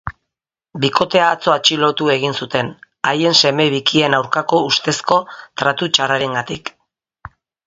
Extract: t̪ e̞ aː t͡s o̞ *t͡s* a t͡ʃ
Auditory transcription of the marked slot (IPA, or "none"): none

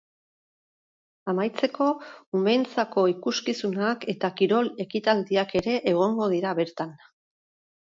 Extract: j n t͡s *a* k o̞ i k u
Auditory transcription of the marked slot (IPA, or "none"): a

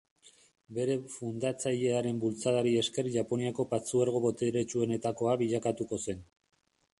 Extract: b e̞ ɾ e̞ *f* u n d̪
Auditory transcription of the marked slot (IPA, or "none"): f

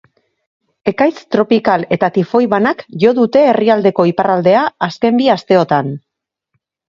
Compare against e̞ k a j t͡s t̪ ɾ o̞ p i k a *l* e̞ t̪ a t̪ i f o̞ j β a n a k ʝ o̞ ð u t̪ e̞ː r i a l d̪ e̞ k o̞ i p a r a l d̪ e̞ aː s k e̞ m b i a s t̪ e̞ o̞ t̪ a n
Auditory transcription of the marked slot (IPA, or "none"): l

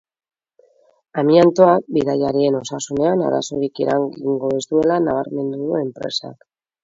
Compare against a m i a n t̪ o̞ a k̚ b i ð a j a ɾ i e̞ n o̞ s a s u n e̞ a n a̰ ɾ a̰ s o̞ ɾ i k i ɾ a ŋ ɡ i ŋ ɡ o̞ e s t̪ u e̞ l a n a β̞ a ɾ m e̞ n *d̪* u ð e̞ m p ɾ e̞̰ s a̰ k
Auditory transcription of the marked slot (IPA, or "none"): d̪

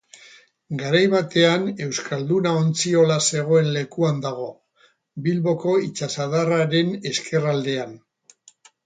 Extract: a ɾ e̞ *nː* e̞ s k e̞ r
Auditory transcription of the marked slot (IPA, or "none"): n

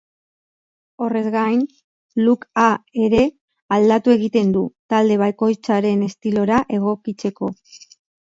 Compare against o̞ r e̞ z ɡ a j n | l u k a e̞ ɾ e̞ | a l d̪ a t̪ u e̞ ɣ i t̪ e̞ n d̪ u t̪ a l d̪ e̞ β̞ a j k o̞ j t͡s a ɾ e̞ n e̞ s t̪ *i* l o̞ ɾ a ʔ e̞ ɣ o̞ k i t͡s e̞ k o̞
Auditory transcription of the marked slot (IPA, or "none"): i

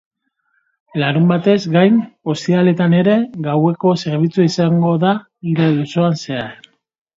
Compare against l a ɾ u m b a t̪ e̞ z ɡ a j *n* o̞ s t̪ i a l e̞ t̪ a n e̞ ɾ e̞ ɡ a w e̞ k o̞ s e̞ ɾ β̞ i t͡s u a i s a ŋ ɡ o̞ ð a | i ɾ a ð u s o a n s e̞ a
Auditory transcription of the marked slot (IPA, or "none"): n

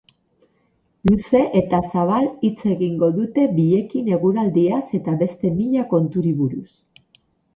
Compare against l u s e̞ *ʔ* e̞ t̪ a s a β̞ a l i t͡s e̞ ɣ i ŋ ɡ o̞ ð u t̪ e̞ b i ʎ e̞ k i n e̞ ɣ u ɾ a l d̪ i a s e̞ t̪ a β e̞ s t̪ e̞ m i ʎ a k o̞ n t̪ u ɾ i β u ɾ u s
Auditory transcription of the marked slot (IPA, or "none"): ʔ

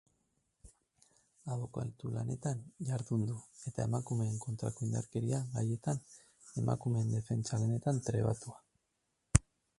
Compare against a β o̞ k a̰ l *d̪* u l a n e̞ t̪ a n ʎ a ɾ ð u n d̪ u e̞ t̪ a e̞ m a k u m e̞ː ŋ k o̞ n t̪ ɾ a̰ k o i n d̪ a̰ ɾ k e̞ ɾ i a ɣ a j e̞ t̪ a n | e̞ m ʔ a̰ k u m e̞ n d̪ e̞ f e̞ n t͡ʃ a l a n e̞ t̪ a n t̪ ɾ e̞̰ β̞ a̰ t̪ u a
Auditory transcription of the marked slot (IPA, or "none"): t̪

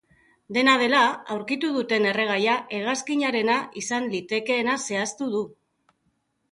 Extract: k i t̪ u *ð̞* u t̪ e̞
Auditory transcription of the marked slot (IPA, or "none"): ð̞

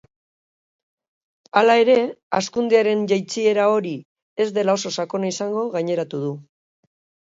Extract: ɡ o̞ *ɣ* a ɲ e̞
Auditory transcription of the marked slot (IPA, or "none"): ɣ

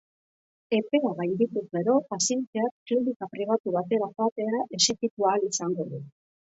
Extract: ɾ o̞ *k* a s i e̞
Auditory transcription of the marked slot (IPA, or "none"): p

